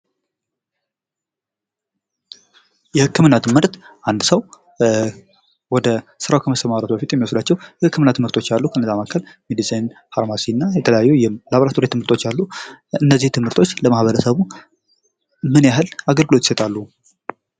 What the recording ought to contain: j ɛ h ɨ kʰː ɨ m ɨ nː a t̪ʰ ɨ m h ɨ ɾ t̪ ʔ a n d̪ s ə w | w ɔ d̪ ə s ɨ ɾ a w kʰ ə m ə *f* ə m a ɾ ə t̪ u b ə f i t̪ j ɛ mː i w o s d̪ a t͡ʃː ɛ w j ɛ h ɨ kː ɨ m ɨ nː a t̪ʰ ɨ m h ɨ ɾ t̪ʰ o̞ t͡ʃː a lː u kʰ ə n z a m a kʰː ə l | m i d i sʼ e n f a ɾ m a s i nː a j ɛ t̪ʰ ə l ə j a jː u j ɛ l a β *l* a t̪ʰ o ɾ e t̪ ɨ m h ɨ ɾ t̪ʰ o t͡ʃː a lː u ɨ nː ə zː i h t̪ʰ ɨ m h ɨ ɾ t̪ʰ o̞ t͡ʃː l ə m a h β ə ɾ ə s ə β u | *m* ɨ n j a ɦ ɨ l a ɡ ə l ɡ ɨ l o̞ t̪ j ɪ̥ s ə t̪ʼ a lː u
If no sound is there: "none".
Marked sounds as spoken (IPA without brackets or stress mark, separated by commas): s, ɾ, m